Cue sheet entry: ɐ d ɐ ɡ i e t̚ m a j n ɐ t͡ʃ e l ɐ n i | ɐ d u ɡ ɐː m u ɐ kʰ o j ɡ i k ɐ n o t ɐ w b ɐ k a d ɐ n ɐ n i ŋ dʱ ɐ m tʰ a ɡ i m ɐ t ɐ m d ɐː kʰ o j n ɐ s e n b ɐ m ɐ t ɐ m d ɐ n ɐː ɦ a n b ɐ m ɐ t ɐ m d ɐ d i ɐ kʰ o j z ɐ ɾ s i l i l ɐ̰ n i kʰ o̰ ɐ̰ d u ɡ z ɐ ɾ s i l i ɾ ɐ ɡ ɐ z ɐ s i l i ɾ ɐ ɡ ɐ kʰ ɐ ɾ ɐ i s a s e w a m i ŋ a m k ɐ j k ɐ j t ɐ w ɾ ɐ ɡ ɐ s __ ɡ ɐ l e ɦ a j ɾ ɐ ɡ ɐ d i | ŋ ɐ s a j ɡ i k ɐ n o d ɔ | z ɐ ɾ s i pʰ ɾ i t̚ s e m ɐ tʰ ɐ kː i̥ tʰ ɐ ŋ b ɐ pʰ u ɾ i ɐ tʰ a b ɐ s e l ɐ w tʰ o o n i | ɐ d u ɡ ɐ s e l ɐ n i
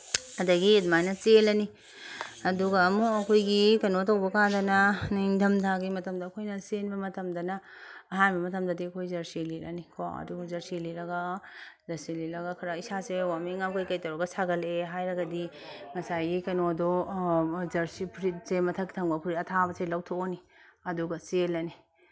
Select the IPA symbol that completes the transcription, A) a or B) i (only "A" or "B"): A